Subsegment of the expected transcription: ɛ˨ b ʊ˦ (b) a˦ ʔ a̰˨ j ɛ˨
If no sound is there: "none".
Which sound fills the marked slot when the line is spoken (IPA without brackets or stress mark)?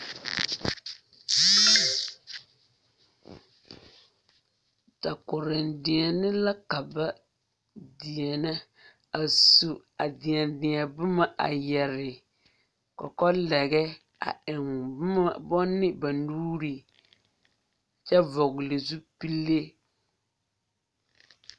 m